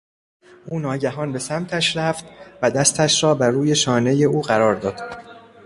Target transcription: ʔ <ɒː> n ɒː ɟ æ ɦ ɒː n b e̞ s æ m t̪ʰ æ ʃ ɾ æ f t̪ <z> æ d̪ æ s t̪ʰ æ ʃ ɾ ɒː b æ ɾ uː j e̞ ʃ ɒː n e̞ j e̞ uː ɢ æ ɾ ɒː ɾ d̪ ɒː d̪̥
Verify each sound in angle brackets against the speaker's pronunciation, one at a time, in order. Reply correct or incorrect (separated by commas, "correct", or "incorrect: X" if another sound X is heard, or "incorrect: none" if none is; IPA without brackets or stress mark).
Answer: incorrect: uː, incorrect: v